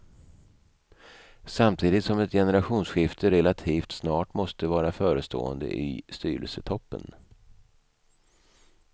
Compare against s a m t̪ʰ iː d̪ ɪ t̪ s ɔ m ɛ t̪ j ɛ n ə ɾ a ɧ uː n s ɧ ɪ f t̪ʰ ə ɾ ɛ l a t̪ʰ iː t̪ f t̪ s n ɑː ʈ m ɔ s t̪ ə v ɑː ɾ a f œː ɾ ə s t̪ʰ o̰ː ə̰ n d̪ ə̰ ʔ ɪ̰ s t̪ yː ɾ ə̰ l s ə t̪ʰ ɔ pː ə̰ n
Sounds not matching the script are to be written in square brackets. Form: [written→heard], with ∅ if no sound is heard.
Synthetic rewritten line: s a m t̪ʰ iː d̪ ɪ t̪ s ɔ m ɛ t̪ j ɛ n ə ɾ a ɧ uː n s ɧ ɪ f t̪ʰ ə ɾ ɛ l a t̪ʰ iː [t̪→∅] f t̪ s n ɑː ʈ m ɔ s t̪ ə v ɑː ɾ a f œː ɾ ə s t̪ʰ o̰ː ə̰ n d̪ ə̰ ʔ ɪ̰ s t̪ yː ɾ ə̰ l s ə t̪ʰ ɔ pː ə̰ n

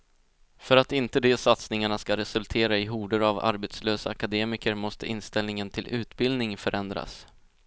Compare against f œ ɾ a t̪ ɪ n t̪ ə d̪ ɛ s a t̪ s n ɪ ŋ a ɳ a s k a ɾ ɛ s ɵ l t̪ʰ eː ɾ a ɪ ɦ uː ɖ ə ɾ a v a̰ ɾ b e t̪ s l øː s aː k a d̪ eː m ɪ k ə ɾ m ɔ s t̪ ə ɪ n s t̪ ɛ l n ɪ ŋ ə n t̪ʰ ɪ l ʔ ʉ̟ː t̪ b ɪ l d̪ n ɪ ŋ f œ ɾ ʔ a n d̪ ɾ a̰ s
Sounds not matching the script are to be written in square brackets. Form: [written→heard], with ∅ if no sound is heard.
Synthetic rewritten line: f œ ɾ a t̪ ɪ n t̪ ə d̪ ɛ s a t̪ s n ɪ ŋ a ɳ a s k a ɾ ɛ s ɵ l t̪ʰ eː ɾ a ɪ ɦ uː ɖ ə ɾ a v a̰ ɾ b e t̪ s l øː s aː k a d̪ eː m ɪ k ə ɾ m ɔ s t̪ ə ɪ n s t̪ ɛ l n ɪ ŋ ə n t̪ʰ ɪ l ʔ ʉ̟ː t̪ b ɪ l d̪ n ɪ ŋ f œ ɾ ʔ [a→ɛ] n d̪ ɾ a̰ s

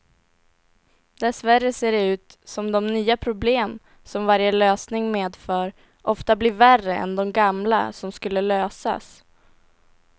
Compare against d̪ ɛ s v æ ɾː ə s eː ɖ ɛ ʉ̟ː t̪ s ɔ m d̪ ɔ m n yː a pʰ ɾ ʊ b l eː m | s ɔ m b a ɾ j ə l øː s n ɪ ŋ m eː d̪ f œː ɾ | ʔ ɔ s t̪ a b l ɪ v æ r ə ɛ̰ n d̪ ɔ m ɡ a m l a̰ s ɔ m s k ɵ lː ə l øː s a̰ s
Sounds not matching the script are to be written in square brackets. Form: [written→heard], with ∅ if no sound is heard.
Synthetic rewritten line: d̪ ɛ s v æ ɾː ə s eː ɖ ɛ ʉ̟ː t̪ s ɔ m d̪ ɔ m n yː a pʰ ɾ ʊ b l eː m | s ɔ m [b→v] a ɾ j ə l øː s n ɪ ŋ m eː d̪ f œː ɾ | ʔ ɔ [s→f] t̪ a b l ɪ v æ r ə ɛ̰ n d̪ ɔ m ɡ a m l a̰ s ɔ m s k ɵ lː ə l øː s a̰ s

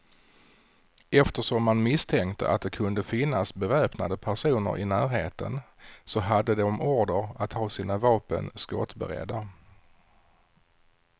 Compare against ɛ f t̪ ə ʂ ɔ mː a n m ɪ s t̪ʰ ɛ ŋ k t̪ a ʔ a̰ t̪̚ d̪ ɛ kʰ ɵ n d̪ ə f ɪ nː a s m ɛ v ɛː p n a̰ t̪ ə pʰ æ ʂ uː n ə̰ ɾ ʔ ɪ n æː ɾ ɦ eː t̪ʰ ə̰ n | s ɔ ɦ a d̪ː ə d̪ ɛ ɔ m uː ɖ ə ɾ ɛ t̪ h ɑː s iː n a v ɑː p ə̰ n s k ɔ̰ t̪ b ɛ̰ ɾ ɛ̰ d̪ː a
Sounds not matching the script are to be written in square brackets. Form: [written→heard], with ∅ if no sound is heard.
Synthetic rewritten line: ɛ f t̪ ə ʂ ɔ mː a n m ɪ s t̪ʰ ɛ ŋ k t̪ [a→ə] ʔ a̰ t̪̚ d̪ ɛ kʰ ɵ n d̪ ə f ɪ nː a s [m→b] ɛ v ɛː p n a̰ [t̪→d̪] ə pʰ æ ʂ uː n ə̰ ɾ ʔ ɪ n æː ɾ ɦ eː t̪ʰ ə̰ n | s ɔ ɦ a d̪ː ə d̪ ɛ ɔ m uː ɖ ə ɾ [ɛ→a] t̪ h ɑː s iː n a v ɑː p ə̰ n s k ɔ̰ t̪ b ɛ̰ ɾ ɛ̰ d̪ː a

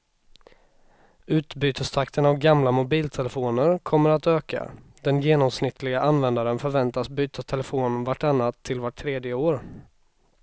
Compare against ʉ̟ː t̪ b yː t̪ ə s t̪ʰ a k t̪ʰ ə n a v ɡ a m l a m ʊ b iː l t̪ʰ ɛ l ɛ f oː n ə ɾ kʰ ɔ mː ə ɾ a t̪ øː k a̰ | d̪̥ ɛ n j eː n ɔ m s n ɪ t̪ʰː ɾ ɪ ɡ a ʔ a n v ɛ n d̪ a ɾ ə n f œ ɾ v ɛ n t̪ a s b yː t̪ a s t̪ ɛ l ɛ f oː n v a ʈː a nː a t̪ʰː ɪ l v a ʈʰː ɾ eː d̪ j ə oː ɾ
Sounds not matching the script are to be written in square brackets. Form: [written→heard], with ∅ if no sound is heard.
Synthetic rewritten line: ʉ̟ː t̪ b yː t̪ ə s t̪ʰ a k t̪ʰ ə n a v ɡ a m l a m ʊ b iː l t̪ʰ ɛ l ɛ f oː n ə ɾ kʰ ɔ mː ə ɾ a t̪ øː k a̰ | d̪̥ ɛ n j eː n ɔ m s n ɪ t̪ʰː [ɾ→l] ɪ ɡ a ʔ a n v ɛ n d̪ a ɾ ə n f œ ɾ v ɛ n t̪ a s b yː t̪ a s [t̪→t̪ʰ] ɛ l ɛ f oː n v a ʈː a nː a t̪ʰː ɪ l v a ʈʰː ɾ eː d̪ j ə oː ɾ

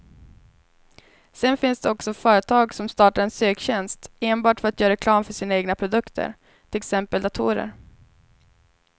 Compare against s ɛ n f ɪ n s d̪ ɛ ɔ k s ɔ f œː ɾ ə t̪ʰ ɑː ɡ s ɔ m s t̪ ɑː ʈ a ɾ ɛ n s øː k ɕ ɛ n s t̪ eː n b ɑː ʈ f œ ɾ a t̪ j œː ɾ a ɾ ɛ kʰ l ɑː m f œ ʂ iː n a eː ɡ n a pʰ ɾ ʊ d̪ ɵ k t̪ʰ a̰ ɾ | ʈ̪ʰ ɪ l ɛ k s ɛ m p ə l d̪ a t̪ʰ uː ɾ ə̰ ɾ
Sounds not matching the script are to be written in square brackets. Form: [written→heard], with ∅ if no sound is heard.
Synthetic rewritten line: s ɛ n f ɪ n s d̪ ɛ ɔ k s ɔ f œː ɾ ə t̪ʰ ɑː ɡ s ɔ m s t̪ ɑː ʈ a ɾ ɛ n s øː k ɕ ɛ n s t̪ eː n b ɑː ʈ f œ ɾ a t̪ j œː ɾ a ɾ ɛ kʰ l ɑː m f œ ʂ iː n a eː ɡ n a pʰ ɾ ʊ d̪ ɵ k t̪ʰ [a̰→ə̰] ɾ | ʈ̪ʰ ɪ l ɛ k s ɛ m p ə l d̪ a t̪ʰ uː ɾ ə̰ ɾ

